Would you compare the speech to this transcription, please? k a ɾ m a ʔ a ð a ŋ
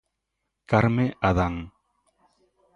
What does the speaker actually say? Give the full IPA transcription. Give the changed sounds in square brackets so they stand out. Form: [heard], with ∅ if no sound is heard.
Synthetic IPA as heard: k a ɾ m [e] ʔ a ð a ŋ